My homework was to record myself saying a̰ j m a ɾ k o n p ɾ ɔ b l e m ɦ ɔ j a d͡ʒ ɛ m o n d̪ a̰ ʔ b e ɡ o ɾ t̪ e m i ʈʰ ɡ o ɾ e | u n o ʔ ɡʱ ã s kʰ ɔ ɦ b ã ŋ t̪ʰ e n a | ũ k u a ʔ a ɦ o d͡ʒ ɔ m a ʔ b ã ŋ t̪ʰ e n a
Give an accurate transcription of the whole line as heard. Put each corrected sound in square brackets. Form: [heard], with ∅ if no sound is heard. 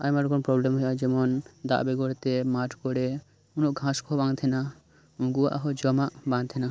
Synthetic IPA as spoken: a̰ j m a ɾ k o n p ɾ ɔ b l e m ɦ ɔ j a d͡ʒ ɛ m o n d̪ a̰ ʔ b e ɡ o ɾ t̪ e m [a] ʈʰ [k] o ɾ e | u n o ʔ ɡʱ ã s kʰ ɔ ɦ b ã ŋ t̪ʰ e n a | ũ [ɡ] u a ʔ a ɦ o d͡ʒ ɔ m a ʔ b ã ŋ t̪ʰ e n a

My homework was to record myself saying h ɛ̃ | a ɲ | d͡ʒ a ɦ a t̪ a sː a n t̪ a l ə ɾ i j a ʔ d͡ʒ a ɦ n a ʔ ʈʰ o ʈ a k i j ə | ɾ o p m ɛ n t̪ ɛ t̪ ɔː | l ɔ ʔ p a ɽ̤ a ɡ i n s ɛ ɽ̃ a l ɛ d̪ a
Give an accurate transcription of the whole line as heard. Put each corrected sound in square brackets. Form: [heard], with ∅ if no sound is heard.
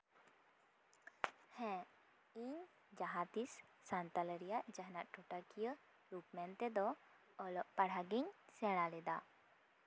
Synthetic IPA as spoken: h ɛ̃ | [i] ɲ | d͡ʒ a ɦ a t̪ [i] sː a n t̪ a l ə ɾ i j a ʔ d͡ʒ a ɦ n a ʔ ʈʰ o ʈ a k i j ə | ɾ [u] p m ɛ n t̪ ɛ [d̪] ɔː | l ɔ ʔ p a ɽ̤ a ɡ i [ɲ] s ɛ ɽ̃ a l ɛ d̪ a

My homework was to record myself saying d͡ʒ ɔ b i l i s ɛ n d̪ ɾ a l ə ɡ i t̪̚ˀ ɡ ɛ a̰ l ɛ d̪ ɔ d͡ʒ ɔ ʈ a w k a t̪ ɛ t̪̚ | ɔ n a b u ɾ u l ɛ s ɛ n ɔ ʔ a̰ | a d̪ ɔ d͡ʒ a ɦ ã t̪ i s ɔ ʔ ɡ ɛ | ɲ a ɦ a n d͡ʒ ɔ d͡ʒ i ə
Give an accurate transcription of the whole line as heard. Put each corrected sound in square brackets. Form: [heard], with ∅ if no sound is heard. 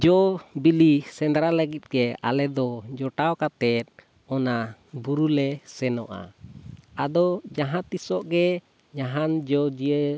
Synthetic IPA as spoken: d͡ʒ ɔ b i l i s ɛ n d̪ ɾ a l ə ɡ i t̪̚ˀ ɡ ɛ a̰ l ɛ d̪ ɔ d͡ʒ ɔ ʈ a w k a t̪ ɛ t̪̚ | ɔ n a b u ɾ u l ɛ s ɛ n ɔ ʔ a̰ | a d̪ ɔ d͡ʒ a ɦ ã t̪ i s ɔ ʔ ɡ ɛ | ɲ a ɦ a n d͡ʒ ɔ d͡ʒ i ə

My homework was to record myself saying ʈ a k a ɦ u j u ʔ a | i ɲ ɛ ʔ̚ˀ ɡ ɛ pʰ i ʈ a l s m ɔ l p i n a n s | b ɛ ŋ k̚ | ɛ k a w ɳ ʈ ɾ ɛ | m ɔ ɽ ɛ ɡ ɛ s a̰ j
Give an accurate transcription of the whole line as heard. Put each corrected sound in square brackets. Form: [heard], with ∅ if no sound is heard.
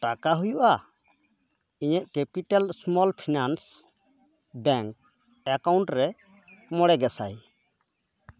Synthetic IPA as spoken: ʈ a k a ɦ u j u ʔ a | i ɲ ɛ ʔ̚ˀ [k] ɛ [p] i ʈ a l s m ɔ l [pʰ] i n a n s | b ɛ ŋ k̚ | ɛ k a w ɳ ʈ ɾ ɛ | m ɔ ɽ ɛ ɡ ɛ s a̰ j

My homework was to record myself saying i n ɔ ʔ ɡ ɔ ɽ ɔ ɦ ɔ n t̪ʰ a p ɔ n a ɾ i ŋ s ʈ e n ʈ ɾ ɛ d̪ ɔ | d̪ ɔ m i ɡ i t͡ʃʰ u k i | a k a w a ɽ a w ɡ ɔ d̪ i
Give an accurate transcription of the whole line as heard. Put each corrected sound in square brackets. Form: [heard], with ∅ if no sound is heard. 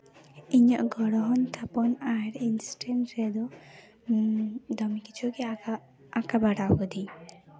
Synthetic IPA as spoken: i [ɲ] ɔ ʔ ɡ ɔ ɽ ɔ ɦ ɔ n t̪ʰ a p ɔ n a ɾ i [n] s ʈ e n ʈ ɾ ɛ d̪ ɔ | d̪ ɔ m i [k] i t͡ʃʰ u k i | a k a [b] a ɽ a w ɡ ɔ d̪ i

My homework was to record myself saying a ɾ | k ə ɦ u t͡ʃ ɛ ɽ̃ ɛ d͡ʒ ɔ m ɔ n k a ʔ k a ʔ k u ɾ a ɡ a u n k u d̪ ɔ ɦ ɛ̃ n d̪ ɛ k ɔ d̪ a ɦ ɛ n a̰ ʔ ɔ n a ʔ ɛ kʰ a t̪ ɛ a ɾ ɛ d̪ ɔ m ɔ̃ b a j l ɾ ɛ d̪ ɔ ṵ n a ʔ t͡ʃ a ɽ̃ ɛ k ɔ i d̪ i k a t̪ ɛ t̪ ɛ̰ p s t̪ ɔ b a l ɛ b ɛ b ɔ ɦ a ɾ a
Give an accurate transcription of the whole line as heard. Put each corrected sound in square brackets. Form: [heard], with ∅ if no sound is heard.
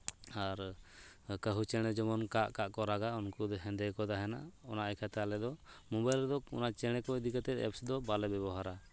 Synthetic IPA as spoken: a ɾ | k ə ɦ u t͡ʃ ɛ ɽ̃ ɛ d͡ʒ ɔ m ɔ n k a ʔ k a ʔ k [ɔ] ɾ a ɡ a u n k u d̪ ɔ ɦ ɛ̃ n d̪ ɛ k ɔ d̪ a ɦ ɛ n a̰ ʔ ɔ n a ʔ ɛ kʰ a t̪ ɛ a [l] ɛ d̪ ɔ m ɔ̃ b a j l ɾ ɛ d̪ ɔ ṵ n a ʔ t͡ʃ [ɛ] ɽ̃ ɛ k ɔ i d̪ i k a t̪ ɛ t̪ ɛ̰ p s [d̪] ɔ b a l ɛ b ɛ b ɔ ɦ a ɾ a

